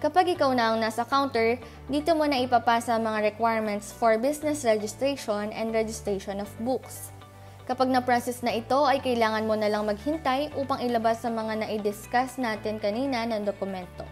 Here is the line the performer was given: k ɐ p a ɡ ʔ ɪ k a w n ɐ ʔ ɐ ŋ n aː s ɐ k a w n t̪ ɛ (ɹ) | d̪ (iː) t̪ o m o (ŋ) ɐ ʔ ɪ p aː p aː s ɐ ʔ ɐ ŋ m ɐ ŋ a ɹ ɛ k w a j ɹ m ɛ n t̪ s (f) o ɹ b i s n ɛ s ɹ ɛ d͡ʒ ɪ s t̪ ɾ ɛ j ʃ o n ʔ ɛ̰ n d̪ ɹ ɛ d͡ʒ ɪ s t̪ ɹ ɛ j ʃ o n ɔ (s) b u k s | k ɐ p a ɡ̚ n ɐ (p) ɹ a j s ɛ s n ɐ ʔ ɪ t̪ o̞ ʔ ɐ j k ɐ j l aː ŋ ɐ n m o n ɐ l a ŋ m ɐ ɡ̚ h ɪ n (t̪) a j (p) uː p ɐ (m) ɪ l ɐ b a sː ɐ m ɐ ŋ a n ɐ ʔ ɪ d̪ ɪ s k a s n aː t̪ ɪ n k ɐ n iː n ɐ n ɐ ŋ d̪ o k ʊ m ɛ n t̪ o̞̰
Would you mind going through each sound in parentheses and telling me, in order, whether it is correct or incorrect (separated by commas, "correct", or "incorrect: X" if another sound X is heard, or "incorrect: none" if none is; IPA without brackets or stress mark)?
correct, correct, incorrect: n, correct, incorrect: f, correct, correct, incorrect: ʔ, incorrect: ŋ